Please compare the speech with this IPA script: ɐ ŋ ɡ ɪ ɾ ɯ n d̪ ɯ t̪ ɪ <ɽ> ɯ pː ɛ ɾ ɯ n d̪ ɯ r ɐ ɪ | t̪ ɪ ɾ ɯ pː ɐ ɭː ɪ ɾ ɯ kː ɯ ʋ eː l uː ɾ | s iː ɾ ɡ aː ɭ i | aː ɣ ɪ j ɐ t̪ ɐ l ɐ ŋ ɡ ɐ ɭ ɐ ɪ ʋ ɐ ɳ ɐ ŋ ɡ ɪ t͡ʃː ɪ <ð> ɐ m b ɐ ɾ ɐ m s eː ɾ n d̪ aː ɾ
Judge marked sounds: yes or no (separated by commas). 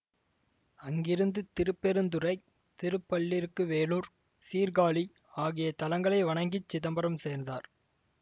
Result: no, yes